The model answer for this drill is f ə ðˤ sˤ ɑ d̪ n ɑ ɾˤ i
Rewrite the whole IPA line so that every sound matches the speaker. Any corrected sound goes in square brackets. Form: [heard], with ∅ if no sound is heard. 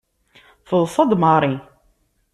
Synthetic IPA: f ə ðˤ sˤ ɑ d̪ [m] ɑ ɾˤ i